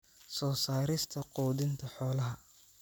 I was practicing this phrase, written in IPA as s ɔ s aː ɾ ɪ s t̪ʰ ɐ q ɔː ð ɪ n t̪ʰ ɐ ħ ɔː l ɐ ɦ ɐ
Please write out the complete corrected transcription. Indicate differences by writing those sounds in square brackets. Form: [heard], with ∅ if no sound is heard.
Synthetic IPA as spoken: s [ɔː] s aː ɾ ɪ s t̪ʰ ɐ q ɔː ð ɪ n t̪ʰ ɐ ħ ɔː l ɐ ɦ ɐ